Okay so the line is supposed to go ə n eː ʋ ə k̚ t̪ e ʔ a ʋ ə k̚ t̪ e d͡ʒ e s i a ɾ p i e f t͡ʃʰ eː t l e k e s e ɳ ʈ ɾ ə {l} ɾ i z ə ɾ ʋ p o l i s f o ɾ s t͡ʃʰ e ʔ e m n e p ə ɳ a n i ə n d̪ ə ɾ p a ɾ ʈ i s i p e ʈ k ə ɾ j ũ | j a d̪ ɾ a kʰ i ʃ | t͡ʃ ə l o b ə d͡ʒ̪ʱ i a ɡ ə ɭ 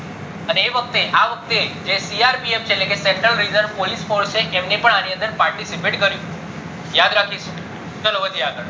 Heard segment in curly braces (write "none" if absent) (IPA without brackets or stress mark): l